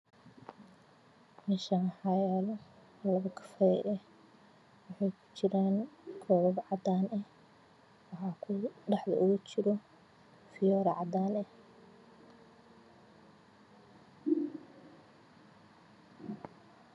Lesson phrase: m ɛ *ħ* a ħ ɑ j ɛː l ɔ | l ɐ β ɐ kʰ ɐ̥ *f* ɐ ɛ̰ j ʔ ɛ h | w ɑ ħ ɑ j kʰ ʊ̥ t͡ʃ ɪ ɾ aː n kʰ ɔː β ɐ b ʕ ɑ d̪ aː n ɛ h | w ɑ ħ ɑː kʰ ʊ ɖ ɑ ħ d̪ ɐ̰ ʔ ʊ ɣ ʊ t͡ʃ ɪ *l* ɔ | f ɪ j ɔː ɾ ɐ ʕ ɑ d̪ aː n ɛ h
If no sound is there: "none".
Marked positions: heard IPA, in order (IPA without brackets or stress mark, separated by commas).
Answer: ʃ, f, ɾ